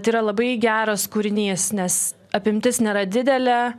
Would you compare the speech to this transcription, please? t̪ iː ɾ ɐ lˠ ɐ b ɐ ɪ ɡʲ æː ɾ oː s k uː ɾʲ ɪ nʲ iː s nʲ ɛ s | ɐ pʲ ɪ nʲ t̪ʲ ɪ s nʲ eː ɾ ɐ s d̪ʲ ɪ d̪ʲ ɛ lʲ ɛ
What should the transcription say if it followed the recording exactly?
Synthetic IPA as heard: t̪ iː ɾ ɐ lˠ ɐ b ɐ ɪ ɡʲ æː ɾ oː s k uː ɾʲ ɪ nʲ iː s nʲ ɛ s | ɐ pʲ ɪ mʲ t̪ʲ ɪ s nʲ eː ɾ ɐ d̪ʲ ɪ d̪ʲ ɛ lʲ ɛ